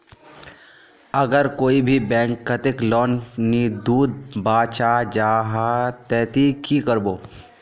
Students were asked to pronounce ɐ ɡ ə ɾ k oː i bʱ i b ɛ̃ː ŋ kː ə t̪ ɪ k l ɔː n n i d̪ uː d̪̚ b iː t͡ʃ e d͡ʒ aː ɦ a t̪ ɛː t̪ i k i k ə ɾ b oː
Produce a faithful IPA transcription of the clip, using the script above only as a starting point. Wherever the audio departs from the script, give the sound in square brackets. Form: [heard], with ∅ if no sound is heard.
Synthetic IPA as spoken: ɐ ɡ ə ɾ k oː i bʱ i b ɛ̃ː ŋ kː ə t̪ ɪ k l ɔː n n i d̪ uː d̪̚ b [aː] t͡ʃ [a] d͡ʒ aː ɦ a t̪ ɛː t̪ i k i k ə ɾ b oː